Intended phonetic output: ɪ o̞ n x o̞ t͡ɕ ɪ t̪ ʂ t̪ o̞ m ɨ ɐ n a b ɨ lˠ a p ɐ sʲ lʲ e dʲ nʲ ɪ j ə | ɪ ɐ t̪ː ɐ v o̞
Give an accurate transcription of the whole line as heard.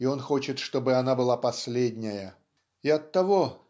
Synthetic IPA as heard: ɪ o̞ n x o̞ t͡ɕ ɪ t̪ ʂ t̪ o̞ b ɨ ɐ n a b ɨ lˠ a p ɐ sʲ lʲ e dʲ nʲ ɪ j ə | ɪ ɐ t̪ː ɐ v o̞